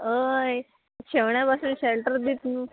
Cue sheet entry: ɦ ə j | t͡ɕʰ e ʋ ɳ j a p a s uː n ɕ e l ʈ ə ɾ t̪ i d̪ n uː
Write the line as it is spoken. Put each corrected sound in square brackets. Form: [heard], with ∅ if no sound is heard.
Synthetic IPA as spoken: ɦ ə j | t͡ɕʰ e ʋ ɳ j a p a s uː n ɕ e l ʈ ə ɾ [d̪] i [t̪] n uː